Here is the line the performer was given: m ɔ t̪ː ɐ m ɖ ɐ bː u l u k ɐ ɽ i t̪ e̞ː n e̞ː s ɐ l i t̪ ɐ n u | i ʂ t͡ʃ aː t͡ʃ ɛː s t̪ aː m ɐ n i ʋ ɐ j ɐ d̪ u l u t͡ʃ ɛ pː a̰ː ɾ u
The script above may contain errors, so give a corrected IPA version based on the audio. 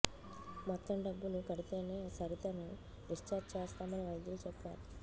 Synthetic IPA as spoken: m ɔ t̪ː ɐ m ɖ ɐ bː u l u k ɐ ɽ i t̪ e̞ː n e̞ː s ɐ ɾ i t̪ ɐ n u | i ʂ t͡ʃ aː t͡ʃ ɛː s t̪ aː m ɐ n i ʋ ɐ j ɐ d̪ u l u t͡ʃ ɛ pː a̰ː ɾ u